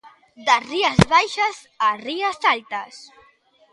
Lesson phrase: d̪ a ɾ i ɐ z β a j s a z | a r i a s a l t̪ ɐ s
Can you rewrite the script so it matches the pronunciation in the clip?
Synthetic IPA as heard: d̪ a r i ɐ z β a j ʃ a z | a r i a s a l t̪ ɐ s